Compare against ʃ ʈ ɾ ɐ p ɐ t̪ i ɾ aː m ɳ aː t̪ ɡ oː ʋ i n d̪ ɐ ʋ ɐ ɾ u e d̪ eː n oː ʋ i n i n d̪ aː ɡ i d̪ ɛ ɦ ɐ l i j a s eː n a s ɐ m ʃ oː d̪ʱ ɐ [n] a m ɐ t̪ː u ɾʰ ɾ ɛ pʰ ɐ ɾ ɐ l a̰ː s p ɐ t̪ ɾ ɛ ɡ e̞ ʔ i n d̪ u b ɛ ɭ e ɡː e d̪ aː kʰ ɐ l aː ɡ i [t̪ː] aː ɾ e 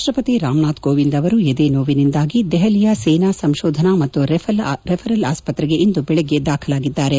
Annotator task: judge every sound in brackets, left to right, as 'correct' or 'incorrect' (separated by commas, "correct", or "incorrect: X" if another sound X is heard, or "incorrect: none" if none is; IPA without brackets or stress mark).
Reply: correct, incorrect: d̪ː